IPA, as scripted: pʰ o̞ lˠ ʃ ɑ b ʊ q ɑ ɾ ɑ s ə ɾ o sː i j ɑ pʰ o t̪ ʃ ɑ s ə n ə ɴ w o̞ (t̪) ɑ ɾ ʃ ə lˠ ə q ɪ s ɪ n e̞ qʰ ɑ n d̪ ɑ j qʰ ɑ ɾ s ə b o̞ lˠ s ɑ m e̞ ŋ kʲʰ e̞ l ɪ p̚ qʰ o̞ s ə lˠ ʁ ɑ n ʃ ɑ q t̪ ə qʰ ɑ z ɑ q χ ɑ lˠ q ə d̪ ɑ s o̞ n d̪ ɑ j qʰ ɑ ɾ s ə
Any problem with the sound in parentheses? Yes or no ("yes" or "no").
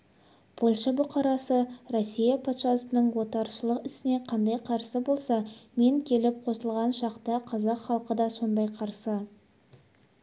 no